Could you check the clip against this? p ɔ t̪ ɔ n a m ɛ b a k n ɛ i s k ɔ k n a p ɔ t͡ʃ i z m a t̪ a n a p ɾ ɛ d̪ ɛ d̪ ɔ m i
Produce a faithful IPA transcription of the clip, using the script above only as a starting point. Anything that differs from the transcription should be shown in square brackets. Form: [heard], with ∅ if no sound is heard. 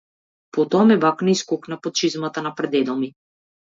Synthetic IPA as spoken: p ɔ t̪ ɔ [∅] a m ɛ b a k n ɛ i s k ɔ k n a p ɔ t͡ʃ i z m a t̪ a n a p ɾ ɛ d̪ ɛ d̪ ɔ m i

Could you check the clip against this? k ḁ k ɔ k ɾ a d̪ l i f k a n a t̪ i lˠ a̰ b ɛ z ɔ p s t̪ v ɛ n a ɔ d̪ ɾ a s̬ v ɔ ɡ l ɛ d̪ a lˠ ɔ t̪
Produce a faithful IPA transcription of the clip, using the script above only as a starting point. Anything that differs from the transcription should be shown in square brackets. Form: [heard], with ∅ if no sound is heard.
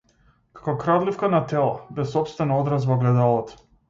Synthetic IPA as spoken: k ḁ k ɔ k ɾ a d̪ l i f k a n a t̪ [ɛ] lˠ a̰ b ɛ [s] ɔ p s t̪ v ɛ n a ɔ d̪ ɾ a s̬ v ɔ ɡ l ɛ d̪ a lˠ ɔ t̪

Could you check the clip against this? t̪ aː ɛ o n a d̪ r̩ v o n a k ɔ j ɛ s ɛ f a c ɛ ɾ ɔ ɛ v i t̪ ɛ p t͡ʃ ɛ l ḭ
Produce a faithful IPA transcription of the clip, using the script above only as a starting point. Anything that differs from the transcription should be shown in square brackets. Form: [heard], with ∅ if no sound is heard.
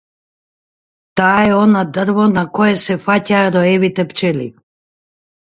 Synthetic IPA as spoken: t̪ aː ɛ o n a d̪ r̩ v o n a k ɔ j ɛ s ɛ f a c [a] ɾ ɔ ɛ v i t̪ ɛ p t͡ʃ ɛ l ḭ

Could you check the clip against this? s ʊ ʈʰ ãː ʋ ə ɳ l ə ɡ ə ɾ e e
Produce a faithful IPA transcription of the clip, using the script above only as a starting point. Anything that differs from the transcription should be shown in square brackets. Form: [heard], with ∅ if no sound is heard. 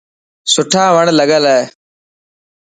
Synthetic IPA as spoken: s ʊ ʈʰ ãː ʋ ə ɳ l ə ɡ ə [l] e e

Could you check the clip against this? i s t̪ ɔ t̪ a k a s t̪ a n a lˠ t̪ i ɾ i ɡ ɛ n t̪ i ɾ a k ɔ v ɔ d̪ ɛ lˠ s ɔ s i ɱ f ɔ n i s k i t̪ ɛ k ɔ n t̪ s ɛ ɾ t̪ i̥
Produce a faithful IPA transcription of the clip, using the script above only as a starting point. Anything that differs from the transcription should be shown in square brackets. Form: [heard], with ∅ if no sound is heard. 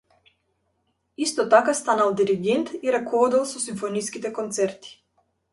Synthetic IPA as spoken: i s t̪ ɔ t̪ a k a s t̪ a n a lˠ [d̪] i ɾ i ɡ ɛ n t̪ i ɾ a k ɔ v ɔ d̪ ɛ lˠ s ɔ s i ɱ f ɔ n i s k i t̪ ɛ k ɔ n t̪ s ɛ ɾ t̪ i̥

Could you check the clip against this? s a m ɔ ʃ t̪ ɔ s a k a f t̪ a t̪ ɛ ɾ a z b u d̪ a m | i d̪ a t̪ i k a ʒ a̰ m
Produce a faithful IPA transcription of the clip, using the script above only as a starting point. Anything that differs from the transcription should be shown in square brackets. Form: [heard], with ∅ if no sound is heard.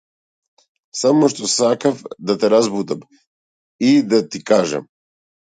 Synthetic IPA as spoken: s a m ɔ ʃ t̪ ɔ s a k a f [d̪] a t̪ ɛ ɾ a z b u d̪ a m | i d̪ a t̪ i k a ʒ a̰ m

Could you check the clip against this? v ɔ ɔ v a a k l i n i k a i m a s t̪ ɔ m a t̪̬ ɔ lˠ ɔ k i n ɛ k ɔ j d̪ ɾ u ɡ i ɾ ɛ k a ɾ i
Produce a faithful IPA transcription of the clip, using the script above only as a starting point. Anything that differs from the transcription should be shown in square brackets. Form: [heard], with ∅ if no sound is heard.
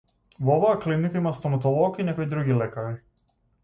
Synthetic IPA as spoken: v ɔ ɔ v a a k l i n i k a i m a s t̪ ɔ m a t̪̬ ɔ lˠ ɔ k i n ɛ k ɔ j d̪ ɾ u ɡ i [l] ɛ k a ɾ i

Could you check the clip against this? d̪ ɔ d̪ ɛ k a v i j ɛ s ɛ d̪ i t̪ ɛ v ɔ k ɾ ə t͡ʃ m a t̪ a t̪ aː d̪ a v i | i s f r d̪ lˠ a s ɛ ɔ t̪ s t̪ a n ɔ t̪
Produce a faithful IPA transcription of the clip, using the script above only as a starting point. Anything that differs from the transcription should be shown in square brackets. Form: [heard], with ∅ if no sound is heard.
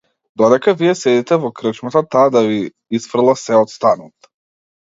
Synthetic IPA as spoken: d̪ ɔ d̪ ɛ k a v i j ɛ s ɛ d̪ i t̪ ɛ v ɔ k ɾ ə t͡ʃ m a t̪ a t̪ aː d̪ a v i | i s f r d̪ lˠ a s ɛ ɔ t̪ s t̪ a n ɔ t̪

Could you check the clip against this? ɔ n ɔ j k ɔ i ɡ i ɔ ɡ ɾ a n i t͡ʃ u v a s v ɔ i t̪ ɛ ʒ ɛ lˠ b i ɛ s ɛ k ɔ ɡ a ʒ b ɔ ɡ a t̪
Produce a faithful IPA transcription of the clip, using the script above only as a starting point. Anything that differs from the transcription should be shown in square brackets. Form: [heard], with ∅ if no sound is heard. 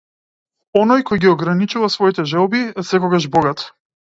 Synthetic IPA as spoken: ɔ n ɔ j k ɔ [j] ɡ i ɔ ɡ ɾ a n i t͡ʃ u v a s v ɔ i t̪ ɛ ʒ ɛ lˠ b i ɛ s ɛ k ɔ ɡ a ʒ b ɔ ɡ a t̪

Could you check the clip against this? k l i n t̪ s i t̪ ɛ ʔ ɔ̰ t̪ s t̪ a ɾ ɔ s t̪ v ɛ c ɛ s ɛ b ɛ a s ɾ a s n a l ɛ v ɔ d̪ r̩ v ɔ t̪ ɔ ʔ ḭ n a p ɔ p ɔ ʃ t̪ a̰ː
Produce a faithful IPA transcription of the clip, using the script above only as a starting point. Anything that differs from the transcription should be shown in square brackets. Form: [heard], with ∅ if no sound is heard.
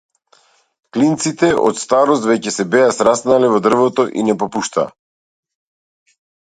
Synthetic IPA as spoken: k l i n t̪ s i t̪ ɛ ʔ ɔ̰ t̪ s t̪ a ɾ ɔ s t̪ v ɛ c ɛ s ɛ b ɛ a s ɾ a s n a l ɛ v ɔ d̪ r̩ v ɔ t̪ ɔ ʔ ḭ n [ɛ] p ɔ p [u] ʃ t̪ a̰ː

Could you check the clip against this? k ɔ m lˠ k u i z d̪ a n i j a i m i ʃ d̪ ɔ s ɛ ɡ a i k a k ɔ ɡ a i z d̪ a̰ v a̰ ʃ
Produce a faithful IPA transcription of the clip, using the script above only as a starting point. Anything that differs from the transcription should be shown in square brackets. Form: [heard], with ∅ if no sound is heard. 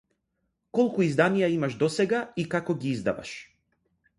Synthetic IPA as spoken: k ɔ [∅] lˠ k u i z d̪ a n i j a i m [a] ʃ d̪ ɔ s ɛ ɡ a i k a k ɔ ɡ [i] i z d̪ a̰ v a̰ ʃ

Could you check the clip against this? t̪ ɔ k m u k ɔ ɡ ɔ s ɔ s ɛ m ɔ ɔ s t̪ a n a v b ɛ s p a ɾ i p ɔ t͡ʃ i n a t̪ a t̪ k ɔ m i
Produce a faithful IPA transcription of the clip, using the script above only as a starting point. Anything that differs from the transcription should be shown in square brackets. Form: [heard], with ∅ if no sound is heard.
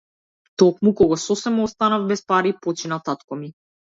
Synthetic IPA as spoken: t̪ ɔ k m u k ɔ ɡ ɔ s ɔ s ɛ m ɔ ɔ s t̪ a n a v b ɛ s p a ɾ i p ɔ t͡ʃ i n a t̪ a t̪ k ɔ m i

